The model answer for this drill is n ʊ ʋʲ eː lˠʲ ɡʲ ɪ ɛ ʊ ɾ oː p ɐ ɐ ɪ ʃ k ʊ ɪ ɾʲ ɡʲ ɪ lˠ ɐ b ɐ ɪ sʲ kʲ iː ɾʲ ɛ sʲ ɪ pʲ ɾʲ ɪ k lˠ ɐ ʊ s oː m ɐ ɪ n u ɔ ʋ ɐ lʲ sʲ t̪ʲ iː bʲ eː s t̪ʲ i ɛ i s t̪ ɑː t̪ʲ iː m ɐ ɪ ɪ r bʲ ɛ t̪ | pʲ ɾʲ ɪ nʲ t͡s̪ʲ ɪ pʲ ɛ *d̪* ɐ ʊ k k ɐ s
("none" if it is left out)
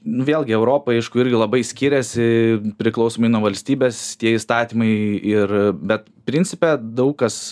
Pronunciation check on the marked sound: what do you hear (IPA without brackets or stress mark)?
d̪